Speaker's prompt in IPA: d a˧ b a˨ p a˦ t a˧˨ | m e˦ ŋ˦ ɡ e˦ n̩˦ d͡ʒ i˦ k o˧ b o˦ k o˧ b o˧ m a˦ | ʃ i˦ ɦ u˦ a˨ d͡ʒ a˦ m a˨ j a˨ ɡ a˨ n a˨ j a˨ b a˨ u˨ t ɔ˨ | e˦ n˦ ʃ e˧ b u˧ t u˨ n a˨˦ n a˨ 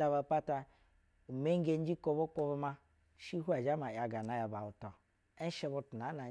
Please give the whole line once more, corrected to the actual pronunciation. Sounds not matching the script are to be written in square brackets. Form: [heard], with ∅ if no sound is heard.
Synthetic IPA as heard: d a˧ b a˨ p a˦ t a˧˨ | m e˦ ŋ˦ ɡ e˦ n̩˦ d͡ʒ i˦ k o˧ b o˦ k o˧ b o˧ m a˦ | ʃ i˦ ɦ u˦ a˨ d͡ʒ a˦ m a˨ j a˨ ɡ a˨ n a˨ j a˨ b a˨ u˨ t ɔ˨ | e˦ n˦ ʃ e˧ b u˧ t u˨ n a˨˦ n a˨